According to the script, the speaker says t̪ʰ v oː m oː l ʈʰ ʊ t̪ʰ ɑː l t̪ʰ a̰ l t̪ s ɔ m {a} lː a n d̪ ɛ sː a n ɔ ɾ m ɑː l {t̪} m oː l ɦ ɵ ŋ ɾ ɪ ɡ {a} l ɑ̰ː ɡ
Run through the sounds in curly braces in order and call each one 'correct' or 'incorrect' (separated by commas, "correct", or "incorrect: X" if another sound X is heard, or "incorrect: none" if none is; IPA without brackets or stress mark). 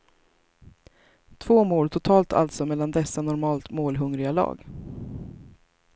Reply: incorrect: ɛ, correct, correct